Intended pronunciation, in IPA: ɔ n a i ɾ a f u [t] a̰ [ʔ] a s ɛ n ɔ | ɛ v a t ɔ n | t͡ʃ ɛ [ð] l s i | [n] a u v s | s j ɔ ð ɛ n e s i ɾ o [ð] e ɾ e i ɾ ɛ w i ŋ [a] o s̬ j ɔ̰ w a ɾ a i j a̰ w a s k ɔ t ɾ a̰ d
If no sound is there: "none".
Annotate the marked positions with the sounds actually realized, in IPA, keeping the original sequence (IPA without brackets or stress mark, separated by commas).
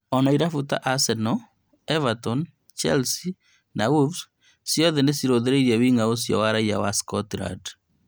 t, ʔ, none, n, ð, a